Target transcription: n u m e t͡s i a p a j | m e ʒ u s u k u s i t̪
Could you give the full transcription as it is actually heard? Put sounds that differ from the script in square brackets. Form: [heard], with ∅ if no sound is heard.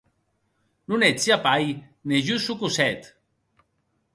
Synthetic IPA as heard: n u [n] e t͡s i a p a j | [n] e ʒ u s u k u s [ɛ] t̪

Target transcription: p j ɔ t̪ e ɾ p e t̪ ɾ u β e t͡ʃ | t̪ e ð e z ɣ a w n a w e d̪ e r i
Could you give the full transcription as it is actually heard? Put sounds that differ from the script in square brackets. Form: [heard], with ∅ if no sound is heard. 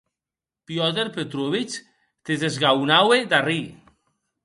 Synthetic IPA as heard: p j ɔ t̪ e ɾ p e t̪ ɾ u β [i] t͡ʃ | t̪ e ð e z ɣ a w n a w e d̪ [a] r i

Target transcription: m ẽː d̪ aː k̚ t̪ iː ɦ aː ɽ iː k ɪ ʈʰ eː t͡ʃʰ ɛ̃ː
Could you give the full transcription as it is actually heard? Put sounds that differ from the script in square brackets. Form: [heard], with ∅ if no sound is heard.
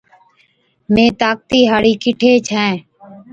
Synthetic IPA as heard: m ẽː [t̪] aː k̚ t̪ iː ɦ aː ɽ iː k ɪ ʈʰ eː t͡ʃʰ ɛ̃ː

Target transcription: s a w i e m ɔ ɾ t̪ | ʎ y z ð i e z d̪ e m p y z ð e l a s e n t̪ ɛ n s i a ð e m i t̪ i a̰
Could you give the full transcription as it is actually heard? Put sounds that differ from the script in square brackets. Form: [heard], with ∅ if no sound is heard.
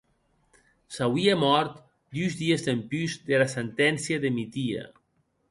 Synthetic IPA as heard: s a w i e m ɔ ɾ t̪ | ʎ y z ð i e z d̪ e m p y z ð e l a s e n t̪ ɛ n s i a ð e m i t̪ i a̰

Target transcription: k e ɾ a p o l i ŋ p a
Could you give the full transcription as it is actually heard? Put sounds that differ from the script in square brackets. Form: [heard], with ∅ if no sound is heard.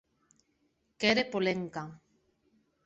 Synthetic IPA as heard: k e ɾ [e] p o l [e] ŋ [k] a

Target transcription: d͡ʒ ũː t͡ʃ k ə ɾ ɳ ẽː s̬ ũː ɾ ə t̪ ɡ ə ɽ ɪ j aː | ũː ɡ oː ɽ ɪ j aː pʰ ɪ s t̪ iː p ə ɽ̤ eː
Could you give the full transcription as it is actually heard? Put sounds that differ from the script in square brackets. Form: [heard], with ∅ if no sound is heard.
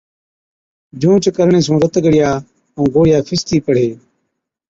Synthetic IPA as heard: d͡ʒ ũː t͡ʃ k ə ɾ ɳ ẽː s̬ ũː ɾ ə t̪ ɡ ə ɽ ɪ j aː | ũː ɡ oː ɽ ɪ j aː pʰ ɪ s t̪ iː p ə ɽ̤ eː

